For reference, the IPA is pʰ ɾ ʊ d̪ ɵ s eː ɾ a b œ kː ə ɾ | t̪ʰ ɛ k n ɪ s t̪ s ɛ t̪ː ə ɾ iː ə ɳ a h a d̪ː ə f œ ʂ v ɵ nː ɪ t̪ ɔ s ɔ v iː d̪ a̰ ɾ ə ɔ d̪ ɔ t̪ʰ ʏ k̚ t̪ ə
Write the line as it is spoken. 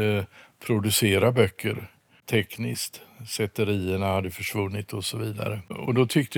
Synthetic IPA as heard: pʰ ɾ ʊ d̪ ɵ s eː ɾ a b œ kː ə ɾ | t̪ʰ ɛ k n ɪ s t̪ s ɛ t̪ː ə ɾ iː ə ɳ a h a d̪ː ə f œ ʂ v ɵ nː ɪ t̪ ɔ s ɔ v iː d̪ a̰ ɾ ə ɔ d̪ ɔ t̪ʰ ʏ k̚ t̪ ə